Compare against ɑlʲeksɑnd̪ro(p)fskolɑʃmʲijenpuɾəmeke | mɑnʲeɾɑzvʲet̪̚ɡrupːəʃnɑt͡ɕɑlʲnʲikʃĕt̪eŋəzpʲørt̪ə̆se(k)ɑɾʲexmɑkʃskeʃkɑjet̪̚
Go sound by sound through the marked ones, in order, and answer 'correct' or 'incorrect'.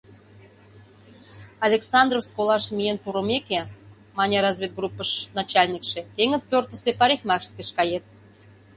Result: incorrect: none, incorrect: p

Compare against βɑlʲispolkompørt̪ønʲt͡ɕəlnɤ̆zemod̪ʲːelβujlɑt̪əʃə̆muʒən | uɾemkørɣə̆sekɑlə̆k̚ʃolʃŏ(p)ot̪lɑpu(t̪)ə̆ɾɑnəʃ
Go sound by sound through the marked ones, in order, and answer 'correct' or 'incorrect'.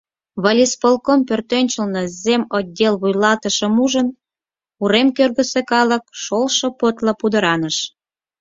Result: correct, incorrect: d̪

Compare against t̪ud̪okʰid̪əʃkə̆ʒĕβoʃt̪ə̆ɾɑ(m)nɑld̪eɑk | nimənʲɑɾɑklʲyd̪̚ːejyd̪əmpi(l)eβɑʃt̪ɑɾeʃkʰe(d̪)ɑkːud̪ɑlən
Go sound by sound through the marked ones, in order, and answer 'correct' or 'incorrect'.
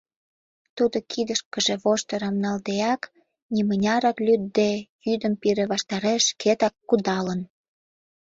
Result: correct, incorrect: ɾ, incorrect: t̪

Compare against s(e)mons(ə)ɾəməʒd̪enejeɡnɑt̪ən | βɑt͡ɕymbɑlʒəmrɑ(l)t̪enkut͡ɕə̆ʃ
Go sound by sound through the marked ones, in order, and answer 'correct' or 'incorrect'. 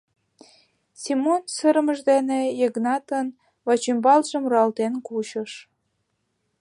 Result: incorrect: i, correct, correct

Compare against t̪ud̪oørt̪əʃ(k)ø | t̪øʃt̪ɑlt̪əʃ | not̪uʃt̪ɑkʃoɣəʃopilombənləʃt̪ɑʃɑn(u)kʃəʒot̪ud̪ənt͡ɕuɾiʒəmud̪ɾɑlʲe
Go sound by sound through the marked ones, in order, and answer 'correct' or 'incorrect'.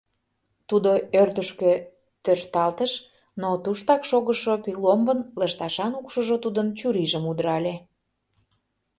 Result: correct, correct

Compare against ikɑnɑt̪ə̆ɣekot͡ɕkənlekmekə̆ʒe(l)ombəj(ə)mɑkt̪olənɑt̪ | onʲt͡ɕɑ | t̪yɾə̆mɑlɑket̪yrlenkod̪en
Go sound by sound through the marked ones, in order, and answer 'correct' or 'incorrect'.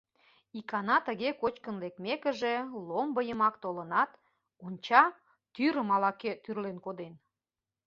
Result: correct, correct

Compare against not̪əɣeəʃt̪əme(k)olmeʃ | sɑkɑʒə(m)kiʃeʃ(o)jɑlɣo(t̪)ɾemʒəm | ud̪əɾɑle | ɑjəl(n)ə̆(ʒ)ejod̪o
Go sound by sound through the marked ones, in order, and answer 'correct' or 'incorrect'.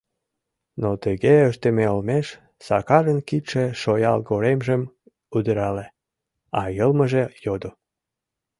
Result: incorrect: none, incorrect: n, correct, incorrect: none, incorrect: m, correct

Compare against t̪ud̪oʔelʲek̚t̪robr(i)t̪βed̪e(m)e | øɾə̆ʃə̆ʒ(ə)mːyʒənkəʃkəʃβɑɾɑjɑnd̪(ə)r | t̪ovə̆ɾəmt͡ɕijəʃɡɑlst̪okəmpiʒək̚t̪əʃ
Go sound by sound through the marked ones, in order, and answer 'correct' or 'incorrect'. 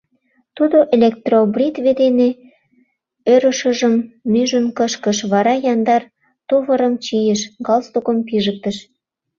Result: correct, incorrect: n, correct, incorrect: ɑ

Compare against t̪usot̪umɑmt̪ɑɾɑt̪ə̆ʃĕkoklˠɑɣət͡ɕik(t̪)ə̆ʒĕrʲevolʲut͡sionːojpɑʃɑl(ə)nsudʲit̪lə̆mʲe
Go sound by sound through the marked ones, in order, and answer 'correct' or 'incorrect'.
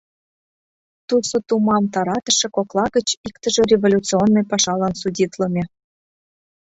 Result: correct, incorrect: ɑ

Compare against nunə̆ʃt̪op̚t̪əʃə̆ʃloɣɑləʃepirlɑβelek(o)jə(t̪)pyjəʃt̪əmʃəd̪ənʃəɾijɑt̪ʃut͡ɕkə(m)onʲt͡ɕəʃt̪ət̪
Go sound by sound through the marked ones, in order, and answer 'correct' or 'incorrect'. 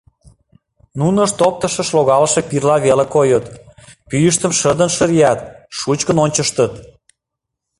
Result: correct, correct, incorrect: n

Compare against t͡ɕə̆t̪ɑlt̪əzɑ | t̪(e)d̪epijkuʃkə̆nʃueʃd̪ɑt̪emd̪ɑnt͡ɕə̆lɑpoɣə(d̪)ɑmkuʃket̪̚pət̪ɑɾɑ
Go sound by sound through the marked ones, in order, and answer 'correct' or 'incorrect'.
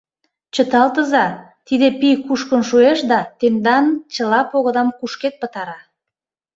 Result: incorrect: i, correct

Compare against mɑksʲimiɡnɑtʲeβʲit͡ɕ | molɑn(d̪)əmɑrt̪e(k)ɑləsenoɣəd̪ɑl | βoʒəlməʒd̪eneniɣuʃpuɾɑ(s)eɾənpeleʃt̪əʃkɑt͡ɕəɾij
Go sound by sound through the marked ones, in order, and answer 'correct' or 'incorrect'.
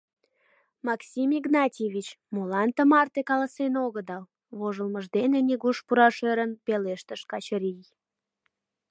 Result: incorrect: t̪, correct, incorrect: ʃ

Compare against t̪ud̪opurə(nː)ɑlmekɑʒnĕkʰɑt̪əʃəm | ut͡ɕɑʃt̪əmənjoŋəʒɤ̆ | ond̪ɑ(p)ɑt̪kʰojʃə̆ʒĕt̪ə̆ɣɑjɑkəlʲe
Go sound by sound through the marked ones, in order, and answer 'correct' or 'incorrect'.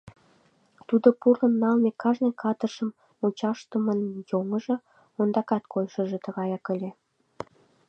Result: correct, incorrect: k

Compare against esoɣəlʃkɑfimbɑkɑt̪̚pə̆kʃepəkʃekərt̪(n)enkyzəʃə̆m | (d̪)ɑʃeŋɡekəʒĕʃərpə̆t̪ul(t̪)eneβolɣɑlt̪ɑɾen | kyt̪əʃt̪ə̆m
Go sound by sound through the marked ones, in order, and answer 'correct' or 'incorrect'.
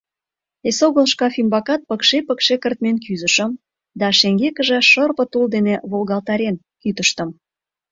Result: incorrect: m, correct, incorrect: d̪

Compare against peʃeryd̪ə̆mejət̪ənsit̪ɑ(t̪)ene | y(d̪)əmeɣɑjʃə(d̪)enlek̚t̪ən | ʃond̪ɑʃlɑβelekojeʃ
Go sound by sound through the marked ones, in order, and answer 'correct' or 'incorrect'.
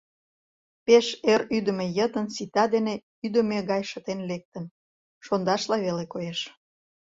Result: incorrect: d̪, correct, incorrect: t̪

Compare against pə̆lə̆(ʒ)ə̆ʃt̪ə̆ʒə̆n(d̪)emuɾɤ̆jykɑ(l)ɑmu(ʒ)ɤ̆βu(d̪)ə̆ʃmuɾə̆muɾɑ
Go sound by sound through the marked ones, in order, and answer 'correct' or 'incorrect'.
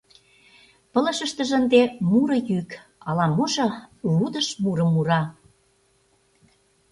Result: incorrect: ʃ, correct, correct, correct, correct

